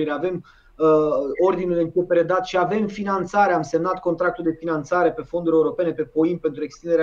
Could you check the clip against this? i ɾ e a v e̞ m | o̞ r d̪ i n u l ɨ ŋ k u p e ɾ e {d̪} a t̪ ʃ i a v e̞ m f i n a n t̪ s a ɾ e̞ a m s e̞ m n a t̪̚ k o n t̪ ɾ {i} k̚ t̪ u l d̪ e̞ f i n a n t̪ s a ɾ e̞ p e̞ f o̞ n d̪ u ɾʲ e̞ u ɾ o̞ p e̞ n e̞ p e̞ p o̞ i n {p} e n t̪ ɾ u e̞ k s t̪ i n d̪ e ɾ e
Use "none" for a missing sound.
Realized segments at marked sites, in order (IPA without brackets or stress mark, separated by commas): d̪, a, p